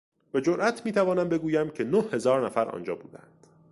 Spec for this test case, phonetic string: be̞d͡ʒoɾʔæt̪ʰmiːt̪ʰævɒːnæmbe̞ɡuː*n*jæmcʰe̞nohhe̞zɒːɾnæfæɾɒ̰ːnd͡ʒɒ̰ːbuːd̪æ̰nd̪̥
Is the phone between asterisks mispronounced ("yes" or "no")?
yes